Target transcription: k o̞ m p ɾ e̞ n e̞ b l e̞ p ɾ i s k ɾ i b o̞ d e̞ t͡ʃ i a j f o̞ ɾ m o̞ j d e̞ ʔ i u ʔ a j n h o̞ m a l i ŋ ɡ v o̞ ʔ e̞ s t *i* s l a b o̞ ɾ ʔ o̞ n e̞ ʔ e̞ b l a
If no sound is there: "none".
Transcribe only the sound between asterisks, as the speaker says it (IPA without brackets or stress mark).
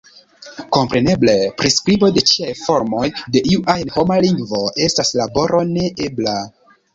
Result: a